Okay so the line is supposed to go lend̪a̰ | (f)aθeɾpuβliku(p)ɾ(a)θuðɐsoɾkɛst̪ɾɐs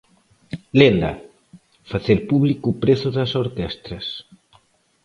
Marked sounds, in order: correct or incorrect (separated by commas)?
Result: correct, correct, incorrect